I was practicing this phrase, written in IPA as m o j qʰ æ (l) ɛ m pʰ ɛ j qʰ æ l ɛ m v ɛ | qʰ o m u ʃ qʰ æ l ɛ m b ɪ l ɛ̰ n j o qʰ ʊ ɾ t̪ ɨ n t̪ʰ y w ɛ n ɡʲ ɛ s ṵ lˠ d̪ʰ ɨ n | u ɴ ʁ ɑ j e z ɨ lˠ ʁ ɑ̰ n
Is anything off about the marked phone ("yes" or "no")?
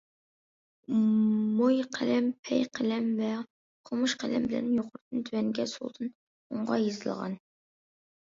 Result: no